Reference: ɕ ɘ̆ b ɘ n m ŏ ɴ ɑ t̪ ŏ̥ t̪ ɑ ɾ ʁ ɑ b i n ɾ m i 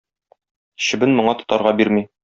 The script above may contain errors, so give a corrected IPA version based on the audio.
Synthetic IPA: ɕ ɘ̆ b ɘ n m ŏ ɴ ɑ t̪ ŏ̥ t̪ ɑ ɾ ʁ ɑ b i ɾ m i